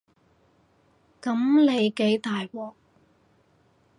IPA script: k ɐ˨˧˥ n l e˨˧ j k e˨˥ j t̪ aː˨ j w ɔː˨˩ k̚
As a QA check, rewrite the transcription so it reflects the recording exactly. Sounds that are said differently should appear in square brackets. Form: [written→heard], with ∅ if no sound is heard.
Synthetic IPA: k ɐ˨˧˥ [n→m] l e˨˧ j k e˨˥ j t̪ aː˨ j w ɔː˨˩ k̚